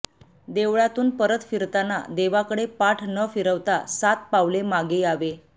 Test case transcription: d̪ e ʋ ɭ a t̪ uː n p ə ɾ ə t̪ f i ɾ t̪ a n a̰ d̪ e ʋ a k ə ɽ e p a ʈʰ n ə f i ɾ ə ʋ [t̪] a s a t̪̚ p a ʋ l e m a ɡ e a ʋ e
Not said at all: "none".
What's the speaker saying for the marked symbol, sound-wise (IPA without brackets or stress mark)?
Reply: t̪